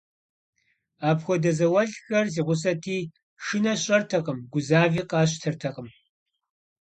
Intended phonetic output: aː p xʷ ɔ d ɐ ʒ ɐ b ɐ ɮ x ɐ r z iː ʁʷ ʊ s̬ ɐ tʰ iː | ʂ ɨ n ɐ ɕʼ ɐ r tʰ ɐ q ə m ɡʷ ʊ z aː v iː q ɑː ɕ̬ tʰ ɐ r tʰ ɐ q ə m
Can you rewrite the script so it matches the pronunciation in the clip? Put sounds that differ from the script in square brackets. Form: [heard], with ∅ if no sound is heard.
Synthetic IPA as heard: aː p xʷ ɔ d ɐ [z] ɐ [w] ɐ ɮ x ɐ r z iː ʁʷ ʊ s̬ ɐ tʰ iː | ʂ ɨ n ɐ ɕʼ ɐ r tʰ ɐ q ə m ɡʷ ʊ z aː v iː q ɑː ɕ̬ tʰ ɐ r tʰ ɐ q ə m